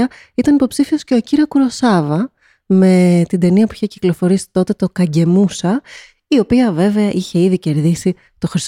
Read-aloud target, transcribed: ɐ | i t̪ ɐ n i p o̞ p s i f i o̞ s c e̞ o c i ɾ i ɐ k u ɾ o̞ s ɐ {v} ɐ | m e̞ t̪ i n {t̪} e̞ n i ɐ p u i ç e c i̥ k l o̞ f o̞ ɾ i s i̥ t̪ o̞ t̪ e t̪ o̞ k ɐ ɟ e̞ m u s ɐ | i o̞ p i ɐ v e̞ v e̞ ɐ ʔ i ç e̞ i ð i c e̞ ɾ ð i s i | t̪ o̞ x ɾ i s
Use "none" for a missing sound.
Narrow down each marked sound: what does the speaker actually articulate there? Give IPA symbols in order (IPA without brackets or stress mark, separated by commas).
v, d̪